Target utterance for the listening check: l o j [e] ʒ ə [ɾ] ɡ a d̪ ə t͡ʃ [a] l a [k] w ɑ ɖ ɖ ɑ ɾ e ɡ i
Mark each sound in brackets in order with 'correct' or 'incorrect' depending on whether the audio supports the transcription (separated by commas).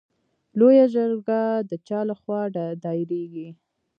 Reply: incorrect, correct, incorrect, incorrect